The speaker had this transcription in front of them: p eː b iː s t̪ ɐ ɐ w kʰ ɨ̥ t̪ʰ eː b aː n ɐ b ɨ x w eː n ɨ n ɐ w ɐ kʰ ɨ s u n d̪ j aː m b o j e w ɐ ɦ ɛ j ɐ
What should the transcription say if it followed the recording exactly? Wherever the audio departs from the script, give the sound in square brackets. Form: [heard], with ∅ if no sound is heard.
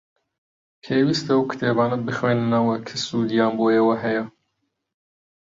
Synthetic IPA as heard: [pʰ] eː [w] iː s t̪ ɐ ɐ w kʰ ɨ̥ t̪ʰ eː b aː n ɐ b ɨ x w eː n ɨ n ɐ w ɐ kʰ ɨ s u [∅] d̪ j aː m b o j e w ɐ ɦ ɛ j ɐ